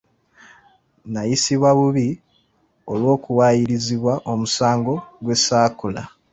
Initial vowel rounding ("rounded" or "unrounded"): unrounded